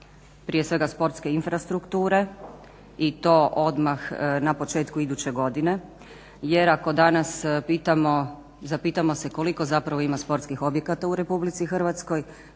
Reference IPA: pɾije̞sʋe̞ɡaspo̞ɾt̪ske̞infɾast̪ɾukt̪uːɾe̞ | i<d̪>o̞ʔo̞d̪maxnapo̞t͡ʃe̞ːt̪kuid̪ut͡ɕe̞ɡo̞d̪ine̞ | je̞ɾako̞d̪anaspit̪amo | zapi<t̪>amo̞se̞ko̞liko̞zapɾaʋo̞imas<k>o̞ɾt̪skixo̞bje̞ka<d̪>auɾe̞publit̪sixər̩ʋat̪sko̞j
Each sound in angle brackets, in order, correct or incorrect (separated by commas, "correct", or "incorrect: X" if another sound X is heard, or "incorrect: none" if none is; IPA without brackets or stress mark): incorrect: t̪, correct, incorrect: p, incorrect: t̪